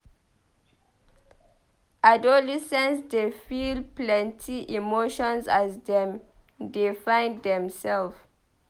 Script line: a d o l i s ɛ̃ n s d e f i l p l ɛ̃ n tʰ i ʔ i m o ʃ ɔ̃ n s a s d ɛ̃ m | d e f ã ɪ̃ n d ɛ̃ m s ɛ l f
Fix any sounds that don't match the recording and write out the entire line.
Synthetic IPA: a d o l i s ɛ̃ n s d e f i l p l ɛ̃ n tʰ i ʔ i m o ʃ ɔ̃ n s a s d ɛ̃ m | d e f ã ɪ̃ n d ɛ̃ m s ɛ l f